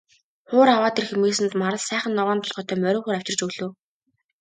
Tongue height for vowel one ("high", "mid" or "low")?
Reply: high